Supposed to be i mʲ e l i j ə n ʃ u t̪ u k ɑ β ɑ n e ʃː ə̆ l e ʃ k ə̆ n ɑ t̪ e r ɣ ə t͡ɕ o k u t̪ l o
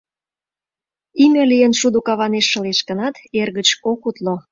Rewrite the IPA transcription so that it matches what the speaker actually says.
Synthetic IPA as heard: i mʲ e l i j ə n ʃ u d̪ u k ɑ β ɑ n e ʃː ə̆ l e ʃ k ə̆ n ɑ t̪ e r ɣ ə t͡ɕ o k u t̪ l o